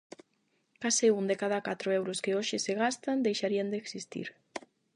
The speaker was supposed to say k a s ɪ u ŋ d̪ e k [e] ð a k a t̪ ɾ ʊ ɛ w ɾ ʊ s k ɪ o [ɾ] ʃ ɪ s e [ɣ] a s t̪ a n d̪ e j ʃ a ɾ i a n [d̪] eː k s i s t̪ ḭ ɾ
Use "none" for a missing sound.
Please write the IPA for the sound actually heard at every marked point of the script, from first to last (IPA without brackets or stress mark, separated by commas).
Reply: a, none, ɣ, d̪